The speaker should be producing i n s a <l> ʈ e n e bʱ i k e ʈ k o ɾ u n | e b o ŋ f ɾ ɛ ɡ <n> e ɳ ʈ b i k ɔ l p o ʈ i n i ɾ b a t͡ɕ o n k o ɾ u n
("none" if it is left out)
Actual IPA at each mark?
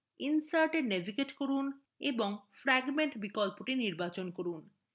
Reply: ɾ, m

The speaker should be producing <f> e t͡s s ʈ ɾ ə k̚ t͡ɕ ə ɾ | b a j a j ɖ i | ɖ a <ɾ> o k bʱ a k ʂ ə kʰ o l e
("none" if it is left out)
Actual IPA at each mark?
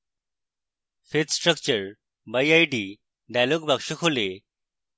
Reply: f, l

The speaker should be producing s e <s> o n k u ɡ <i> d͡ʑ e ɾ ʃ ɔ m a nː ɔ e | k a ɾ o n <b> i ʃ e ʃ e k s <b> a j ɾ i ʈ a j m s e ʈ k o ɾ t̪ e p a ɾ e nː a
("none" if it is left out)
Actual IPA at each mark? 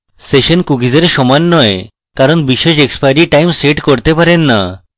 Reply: ʃ, i, b, p

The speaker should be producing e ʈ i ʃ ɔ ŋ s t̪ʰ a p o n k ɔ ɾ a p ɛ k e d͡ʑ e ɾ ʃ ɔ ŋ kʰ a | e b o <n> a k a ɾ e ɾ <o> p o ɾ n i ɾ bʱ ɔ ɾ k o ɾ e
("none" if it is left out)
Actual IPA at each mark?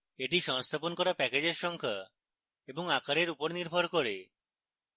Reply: ŋ, u

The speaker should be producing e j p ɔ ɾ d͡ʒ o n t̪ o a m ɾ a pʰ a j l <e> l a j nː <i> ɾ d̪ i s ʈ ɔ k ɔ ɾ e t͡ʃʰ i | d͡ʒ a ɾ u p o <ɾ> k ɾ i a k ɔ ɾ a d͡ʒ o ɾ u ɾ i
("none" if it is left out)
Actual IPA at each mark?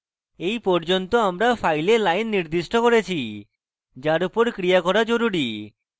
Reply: e, i, ɾ

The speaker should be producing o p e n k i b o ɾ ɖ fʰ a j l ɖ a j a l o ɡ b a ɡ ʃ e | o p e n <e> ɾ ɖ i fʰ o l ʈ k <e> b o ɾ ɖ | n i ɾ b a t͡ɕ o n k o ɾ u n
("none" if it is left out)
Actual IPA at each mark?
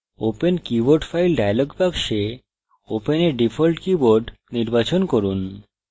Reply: e, i

